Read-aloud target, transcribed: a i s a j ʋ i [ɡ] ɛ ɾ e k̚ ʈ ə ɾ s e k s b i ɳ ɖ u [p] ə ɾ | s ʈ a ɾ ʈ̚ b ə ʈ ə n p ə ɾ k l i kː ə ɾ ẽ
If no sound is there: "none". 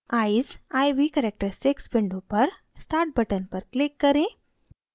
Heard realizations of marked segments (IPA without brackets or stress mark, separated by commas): k, p